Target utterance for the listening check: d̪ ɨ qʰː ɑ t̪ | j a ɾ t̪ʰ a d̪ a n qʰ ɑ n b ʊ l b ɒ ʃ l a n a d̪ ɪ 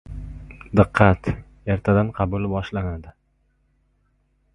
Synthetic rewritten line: d̪ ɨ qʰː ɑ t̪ | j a ɾ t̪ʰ a d̪ a n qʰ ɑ b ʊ l b ɒ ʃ l a n a d̪ ɪ